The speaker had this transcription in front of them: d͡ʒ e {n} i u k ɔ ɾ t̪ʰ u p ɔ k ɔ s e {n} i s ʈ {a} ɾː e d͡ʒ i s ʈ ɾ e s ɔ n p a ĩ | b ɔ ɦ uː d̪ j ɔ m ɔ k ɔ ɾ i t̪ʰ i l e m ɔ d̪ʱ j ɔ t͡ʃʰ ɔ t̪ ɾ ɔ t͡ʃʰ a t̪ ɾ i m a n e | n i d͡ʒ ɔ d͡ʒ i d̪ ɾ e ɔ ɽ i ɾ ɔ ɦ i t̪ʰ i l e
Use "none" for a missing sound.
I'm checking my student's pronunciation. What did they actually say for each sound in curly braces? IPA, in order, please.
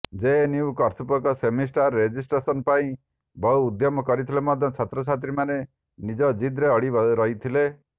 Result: n, m, a

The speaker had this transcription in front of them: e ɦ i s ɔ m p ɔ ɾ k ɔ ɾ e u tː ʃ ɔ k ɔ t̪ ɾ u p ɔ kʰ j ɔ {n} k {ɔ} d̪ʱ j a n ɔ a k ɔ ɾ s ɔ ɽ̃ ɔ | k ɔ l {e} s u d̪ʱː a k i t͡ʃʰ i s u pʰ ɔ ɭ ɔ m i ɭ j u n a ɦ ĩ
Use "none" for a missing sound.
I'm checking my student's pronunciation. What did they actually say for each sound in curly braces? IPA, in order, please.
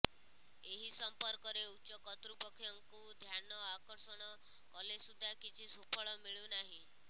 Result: ŋ, u, e

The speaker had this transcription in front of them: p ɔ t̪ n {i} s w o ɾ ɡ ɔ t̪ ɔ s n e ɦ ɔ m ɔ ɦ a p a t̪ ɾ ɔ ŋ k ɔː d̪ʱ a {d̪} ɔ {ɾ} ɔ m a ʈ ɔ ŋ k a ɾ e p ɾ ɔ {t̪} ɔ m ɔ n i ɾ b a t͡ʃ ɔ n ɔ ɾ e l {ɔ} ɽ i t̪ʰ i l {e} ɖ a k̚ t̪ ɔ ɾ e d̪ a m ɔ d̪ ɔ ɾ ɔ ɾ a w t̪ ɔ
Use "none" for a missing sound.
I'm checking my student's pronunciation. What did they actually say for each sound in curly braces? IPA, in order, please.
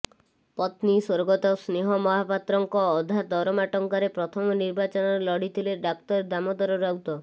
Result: i, d̪, ɾ, t̪ʰ, ɔ, e

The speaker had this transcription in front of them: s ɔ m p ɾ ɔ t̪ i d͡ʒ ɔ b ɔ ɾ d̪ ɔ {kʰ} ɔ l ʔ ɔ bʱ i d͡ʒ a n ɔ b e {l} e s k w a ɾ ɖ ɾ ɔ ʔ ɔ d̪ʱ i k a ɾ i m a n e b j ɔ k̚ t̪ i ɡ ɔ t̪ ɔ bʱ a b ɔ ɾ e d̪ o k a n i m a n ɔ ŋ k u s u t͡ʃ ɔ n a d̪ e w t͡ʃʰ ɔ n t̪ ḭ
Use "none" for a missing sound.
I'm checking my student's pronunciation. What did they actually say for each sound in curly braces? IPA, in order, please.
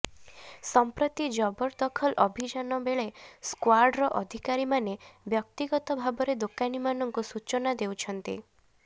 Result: kʰ, ɭ

